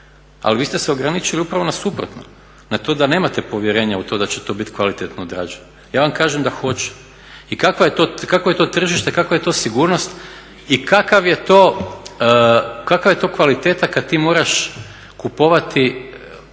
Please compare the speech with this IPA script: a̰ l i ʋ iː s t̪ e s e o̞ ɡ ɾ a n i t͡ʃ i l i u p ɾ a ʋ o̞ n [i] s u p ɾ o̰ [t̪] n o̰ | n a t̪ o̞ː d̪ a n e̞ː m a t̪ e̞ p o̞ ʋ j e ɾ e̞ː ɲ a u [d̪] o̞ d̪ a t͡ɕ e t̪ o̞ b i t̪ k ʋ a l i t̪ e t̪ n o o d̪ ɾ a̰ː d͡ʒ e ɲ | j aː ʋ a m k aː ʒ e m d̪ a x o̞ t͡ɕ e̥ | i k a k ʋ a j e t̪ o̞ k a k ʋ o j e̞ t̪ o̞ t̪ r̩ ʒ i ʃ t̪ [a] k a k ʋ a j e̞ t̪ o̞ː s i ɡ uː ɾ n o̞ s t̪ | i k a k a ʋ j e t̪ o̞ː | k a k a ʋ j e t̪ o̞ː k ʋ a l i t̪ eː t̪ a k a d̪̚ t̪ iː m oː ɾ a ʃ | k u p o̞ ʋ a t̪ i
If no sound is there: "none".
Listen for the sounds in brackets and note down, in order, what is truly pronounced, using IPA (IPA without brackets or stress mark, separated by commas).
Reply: a, t̪, t̪, e